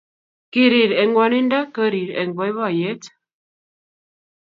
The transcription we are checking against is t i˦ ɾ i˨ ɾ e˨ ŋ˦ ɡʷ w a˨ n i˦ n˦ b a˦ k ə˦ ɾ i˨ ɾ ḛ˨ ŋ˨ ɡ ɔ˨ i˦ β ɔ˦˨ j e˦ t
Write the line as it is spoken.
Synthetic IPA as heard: k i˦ ɾ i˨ ɾ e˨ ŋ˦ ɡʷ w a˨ n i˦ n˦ d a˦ k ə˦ ɾ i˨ ɾ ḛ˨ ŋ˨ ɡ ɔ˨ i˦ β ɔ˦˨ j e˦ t